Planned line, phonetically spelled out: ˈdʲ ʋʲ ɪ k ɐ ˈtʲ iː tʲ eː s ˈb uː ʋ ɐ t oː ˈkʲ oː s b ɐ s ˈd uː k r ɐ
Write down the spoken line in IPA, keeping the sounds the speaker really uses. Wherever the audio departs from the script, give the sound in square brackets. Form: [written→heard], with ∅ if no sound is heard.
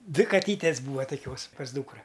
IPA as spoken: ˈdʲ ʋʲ ɪ k ɐ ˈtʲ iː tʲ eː s ˈb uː ʋ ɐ t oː ˈkʲ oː s [b→p] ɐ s ˈd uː k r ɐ